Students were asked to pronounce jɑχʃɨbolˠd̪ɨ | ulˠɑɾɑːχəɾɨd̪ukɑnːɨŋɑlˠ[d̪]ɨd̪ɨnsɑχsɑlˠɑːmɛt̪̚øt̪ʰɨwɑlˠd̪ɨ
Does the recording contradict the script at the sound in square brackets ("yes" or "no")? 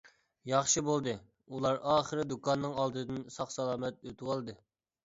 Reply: no